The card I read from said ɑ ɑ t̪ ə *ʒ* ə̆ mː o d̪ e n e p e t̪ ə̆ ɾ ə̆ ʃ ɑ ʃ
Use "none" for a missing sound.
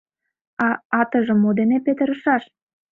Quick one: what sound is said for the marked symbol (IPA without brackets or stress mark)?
ʒ